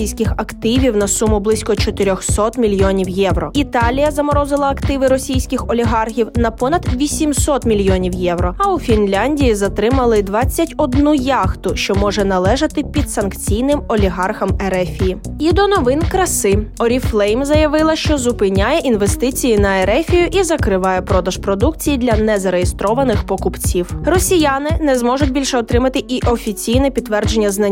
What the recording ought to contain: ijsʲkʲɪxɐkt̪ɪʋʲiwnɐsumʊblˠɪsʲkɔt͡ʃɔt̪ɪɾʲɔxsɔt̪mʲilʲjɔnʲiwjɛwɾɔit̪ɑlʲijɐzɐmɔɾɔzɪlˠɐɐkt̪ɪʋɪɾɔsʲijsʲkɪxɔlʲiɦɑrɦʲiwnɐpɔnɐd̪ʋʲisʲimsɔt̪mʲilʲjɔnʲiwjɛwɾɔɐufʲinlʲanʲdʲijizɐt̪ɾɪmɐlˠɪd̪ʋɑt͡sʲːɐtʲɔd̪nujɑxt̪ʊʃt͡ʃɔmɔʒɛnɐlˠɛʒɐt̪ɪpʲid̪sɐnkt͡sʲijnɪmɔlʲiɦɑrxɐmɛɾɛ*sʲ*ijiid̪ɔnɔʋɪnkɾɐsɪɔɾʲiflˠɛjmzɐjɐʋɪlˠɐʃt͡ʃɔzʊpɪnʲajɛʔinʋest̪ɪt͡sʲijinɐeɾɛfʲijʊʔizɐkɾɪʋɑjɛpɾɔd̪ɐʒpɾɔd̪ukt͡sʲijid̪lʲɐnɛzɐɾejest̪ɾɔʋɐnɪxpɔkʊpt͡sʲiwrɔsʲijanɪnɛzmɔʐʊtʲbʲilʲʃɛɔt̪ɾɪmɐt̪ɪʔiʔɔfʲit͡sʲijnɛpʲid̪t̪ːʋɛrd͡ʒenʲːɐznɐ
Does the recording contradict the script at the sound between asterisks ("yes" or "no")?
yes